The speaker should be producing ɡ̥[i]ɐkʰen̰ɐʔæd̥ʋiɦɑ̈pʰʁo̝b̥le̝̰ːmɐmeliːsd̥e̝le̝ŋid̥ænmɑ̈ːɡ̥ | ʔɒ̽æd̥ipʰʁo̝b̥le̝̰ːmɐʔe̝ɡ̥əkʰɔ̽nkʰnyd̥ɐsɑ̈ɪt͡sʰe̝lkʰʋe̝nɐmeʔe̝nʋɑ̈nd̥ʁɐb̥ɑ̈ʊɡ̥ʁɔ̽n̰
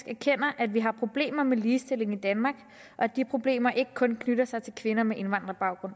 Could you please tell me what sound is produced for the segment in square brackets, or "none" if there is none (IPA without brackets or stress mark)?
æ